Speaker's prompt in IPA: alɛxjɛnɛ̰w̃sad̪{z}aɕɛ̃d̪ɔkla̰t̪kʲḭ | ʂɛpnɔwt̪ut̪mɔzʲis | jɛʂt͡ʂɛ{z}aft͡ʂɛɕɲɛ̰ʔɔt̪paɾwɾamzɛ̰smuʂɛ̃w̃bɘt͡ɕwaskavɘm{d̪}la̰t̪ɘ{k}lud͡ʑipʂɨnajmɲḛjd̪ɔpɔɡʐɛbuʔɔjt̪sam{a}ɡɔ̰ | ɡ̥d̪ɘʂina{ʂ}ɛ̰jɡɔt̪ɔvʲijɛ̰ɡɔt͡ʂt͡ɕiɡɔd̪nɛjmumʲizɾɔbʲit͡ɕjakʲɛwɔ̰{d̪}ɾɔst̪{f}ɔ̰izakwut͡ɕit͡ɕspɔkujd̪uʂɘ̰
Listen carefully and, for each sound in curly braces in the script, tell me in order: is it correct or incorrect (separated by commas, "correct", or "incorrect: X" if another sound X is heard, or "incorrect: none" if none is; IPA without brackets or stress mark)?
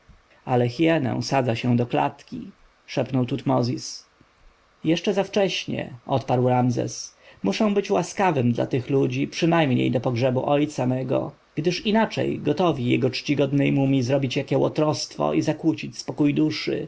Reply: correct, correct, correct, incorrect: x, incorrect: ɛ, incorrect: t͡ʂ, incorrect: t̪, correct